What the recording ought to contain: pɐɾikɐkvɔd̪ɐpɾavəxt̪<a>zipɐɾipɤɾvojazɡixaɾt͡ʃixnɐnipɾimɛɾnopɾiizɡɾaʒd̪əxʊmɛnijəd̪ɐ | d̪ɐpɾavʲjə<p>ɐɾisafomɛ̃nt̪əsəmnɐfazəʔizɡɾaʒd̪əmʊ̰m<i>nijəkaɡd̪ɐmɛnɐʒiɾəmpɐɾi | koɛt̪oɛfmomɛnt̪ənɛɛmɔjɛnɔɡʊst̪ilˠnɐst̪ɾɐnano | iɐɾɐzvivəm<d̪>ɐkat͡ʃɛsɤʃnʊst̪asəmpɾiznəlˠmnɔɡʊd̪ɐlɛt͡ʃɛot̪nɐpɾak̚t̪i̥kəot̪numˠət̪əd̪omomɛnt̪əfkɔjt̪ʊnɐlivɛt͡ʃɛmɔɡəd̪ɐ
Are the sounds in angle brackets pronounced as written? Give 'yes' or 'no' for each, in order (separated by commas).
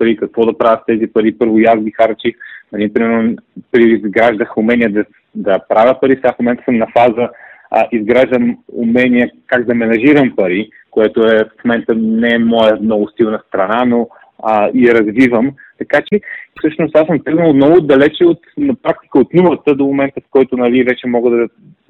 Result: no, yes, no, no